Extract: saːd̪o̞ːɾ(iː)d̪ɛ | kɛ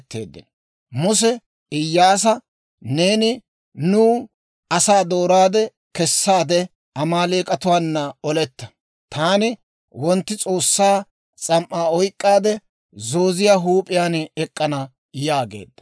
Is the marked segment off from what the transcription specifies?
yes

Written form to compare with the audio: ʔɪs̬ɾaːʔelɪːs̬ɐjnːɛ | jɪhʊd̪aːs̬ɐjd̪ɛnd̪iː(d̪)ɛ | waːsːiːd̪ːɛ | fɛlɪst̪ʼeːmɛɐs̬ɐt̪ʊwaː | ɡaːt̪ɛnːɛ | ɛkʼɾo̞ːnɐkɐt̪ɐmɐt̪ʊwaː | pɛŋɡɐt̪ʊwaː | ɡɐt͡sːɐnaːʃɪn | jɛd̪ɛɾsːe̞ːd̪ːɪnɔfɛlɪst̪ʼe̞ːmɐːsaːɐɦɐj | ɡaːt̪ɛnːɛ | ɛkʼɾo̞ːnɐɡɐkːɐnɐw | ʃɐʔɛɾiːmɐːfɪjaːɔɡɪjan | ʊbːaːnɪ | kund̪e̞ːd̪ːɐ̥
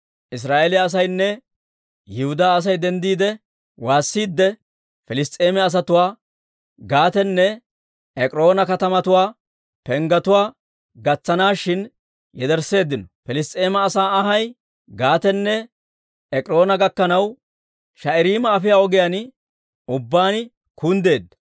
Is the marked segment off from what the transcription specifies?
no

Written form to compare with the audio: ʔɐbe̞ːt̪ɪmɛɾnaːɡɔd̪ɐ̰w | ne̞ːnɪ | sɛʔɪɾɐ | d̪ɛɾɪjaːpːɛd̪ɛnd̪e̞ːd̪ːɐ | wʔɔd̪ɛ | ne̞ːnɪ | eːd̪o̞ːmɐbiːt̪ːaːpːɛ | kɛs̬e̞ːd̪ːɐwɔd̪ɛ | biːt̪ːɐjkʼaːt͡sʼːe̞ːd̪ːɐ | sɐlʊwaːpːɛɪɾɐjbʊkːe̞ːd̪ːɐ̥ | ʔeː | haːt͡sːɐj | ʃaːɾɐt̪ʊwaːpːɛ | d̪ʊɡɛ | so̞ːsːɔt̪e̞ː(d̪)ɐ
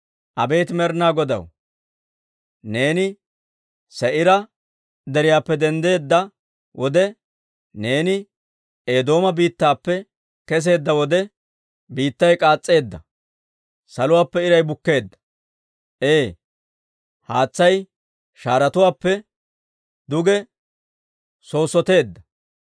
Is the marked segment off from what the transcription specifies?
yes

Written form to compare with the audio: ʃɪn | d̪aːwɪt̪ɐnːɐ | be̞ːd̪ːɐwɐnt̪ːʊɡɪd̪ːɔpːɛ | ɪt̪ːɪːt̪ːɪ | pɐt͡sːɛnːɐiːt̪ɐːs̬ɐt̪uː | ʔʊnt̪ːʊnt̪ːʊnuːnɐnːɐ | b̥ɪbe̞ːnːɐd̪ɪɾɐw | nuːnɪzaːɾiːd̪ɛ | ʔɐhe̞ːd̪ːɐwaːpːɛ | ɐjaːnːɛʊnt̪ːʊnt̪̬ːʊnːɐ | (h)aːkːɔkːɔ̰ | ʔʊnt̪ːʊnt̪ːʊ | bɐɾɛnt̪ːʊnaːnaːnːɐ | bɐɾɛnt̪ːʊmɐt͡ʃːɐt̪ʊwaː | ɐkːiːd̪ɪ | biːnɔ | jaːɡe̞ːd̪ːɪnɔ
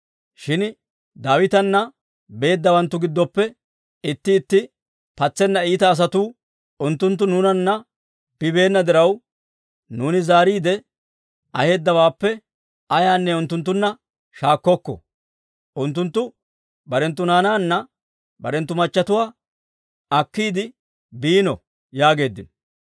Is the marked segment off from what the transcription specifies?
yes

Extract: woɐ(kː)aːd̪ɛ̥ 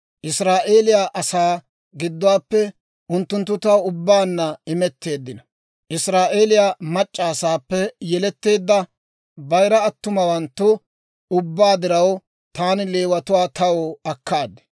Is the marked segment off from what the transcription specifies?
no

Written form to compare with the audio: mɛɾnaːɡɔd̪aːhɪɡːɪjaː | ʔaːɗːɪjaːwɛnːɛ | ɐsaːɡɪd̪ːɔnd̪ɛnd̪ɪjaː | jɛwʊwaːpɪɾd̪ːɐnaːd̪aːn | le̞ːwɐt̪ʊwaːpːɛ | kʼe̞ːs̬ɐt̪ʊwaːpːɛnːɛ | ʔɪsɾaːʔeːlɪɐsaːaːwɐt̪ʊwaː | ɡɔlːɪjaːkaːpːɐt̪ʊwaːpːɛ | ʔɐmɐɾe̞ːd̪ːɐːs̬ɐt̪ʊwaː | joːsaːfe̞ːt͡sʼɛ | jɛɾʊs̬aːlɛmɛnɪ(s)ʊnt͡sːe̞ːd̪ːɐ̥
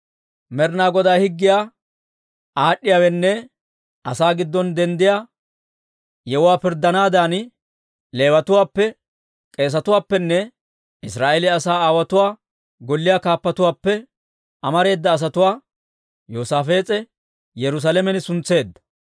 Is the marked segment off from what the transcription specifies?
no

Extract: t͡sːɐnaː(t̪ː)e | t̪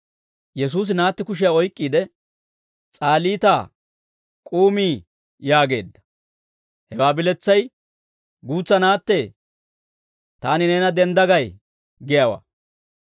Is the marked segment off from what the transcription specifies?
no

